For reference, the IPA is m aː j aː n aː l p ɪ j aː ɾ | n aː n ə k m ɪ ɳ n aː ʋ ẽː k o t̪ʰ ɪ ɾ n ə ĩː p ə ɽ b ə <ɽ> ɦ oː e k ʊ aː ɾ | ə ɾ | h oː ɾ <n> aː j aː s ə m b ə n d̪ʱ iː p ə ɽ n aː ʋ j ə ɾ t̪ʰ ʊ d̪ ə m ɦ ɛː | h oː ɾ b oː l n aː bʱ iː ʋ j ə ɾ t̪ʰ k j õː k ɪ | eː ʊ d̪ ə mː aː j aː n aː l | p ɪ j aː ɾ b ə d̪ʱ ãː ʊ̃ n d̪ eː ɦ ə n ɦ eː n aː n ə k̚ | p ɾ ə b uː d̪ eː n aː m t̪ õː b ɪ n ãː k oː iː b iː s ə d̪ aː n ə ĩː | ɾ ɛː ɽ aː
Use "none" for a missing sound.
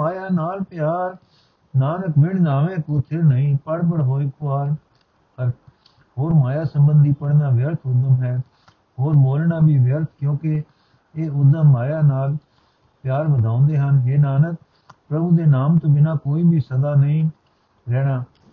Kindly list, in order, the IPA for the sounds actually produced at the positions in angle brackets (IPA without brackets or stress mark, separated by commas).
ɽ, m